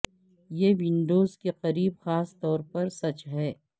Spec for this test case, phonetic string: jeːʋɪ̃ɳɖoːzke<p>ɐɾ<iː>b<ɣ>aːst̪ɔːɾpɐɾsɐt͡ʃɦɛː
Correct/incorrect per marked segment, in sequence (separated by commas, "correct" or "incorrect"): incorrect, correct, incorrect